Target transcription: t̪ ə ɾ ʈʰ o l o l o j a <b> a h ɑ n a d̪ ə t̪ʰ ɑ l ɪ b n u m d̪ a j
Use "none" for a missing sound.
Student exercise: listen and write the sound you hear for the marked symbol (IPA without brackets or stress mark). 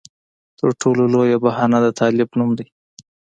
b